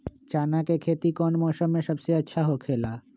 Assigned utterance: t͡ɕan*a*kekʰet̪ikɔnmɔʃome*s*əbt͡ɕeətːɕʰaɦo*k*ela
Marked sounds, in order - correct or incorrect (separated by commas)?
correct, incorrect, incorrect